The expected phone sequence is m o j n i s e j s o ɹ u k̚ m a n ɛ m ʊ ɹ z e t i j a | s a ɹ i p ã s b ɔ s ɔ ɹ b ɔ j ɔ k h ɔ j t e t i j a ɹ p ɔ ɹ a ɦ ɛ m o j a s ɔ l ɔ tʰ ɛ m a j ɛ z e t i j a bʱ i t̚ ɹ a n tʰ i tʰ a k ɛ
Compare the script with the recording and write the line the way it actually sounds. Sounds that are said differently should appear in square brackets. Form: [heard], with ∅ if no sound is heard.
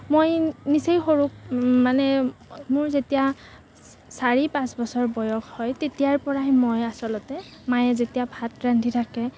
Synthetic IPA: m o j n i s e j [x] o ɹ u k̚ m a n ɛ m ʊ ɹ z e t i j a | s a ɹ i p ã s b ɔ s ɔ ɹ b ɔ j ɔ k h ɔ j t e t i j a ɹ p ɔ ɹ a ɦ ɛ m o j a s ɔ l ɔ [t] ɛ m a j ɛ z e t i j a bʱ [a] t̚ ɹ a n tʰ i tʰ a k ɛ